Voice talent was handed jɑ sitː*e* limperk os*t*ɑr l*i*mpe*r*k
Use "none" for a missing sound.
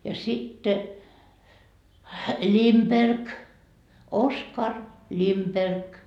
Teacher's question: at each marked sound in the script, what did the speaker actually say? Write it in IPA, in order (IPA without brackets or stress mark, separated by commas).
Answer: e, k, i, r